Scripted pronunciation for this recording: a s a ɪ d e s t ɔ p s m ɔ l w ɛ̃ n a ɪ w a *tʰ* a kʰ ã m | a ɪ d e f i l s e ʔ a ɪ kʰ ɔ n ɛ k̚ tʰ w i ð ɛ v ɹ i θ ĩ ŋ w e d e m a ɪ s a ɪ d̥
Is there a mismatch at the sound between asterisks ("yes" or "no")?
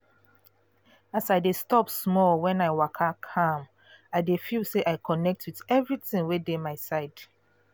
yes